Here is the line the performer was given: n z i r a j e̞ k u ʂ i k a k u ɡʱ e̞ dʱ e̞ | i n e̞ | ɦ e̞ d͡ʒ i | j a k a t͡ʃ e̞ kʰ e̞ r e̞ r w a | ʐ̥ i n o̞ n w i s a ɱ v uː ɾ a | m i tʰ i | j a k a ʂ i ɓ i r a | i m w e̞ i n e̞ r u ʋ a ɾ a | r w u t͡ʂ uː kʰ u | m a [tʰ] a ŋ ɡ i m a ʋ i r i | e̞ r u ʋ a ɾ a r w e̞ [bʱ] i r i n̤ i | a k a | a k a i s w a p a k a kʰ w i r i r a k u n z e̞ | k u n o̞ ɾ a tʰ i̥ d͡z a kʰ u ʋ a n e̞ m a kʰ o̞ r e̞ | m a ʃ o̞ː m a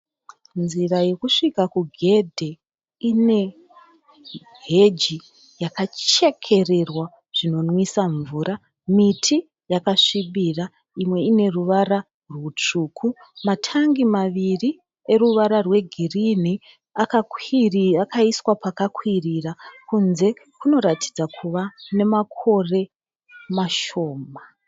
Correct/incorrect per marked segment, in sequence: correct, incorrect: ɡʱ

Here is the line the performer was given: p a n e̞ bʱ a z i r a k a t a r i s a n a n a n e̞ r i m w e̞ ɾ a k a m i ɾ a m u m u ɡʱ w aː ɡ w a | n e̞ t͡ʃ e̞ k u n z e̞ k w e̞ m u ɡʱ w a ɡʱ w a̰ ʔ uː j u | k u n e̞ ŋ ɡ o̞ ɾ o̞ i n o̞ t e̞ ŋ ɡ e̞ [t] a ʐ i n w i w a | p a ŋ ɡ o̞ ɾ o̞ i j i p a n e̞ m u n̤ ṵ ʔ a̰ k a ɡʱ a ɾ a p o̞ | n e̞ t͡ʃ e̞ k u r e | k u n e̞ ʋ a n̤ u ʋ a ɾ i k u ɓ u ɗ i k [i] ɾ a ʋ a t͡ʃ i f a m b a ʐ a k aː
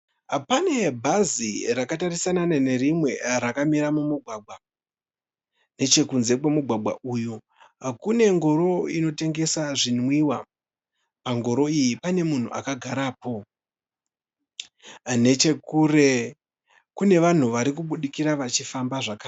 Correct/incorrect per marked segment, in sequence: incorrect: s, correct

